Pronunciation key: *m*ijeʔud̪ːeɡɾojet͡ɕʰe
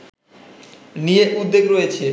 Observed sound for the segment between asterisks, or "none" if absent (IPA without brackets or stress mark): n